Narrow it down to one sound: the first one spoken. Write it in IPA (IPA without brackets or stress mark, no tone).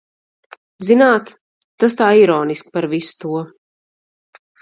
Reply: z